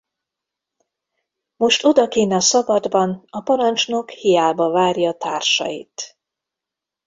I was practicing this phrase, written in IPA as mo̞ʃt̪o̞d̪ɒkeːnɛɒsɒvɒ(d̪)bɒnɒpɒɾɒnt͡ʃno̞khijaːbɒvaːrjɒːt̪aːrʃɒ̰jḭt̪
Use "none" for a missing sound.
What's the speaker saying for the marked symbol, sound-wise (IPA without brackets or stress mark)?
d̪